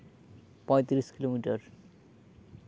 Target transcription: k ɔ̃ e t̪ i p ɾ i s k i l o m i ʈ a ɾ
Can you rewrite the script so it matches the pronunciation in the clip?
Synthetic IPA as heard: p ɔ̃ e t̪ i ɾ i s k i l o m i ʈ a ɾ